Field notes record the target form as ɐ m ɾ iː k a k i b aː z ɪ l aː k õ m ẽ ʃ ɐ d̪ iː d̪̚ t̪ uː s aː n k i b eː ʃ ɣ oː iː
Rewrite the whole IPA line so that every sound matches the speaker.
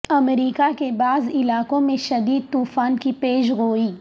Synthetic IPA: ɐ m ɾ iː k a k e b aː z ɪ l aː k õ m ẽ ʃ ɐ d̪ iː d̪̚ t̪ uː f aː n k i p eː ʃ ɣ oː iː